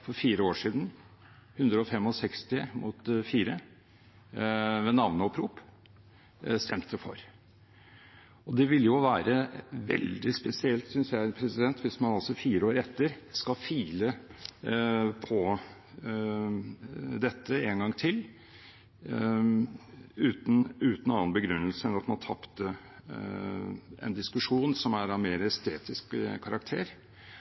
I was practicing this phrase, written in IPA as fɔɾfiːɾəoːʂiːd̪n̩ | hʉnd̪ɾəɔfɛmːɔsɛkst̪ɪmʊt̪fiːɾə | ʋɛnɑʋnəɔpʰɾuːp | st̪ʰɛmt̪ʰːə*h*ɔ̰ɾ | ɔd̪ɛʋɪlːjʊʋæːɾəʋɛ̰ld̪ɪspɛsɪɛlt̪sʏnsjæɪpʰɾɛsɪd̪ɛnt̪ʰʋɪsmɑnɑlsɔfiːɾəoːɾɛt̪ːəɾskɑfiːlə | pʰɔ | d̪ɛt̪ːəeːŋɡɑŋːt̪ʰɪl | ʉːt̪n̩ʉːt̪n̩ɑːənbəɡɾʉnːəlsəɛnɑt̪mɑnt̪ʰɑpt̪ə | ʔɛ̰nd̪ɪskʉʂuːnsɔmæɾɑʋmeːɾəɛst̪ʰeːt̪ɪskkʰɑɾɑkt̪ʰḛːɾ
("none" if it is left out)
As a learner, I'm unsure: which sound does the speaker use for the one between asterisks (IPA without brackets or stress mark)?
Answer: f